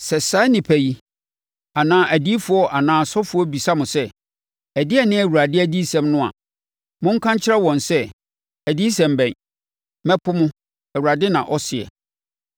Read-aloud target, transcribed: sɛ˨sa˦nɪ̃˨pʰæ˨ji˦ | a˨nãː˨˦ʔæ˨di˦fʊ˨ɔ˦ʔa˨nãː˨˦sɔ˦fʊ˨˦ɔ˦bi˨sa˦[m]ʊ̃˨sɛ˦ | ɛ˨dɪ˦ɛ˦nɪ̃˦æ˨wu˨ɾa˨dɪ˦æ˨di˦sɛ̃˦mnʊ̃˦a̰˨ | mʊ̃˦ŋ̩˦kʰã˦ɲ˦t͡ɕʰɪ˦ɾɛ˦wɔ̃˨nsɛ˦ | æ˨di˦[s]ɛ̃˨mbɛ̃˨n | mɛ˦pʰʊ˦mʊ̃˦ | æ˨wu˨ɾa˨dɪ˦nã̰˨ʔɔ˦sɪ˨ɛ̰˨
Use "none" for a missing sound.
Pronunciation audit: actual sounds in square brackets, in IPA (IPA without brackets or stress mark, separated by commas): m, s